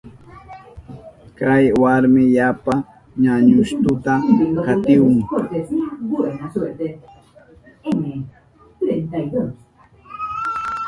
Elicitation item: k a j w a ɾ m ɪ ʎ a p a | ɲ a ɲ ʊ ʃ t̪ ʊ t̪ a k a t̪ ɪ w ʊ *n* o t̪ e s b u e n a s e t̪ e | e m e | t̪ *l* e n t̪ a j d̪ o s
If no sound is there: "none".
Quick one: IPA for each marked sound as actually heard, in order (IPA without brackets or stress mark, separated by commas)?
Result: ŋ, ɾ